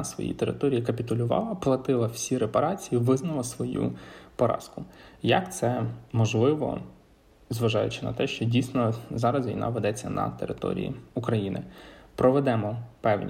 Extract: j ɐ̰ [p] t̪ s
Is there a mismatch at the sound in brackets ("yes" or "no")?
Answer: yes